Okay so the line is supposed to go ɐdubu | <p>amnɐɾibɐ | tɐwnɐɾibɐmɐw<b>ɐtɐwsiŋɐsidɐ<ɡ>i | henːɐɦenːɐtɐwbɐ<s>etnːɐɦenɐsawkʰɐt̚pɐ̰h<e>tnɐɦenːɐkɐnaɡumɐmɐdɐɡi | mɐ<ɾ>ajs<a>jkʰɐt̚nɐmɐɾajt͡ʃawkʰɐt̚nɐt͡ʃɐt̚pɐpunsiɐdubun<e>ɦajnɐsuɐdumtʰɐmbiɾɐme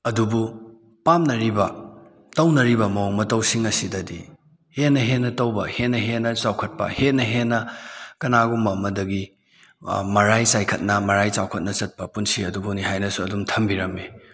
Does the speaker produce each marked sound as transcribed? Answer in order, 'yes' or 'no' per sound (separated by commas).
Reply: yes, no, no, no, yes, yes, yes, no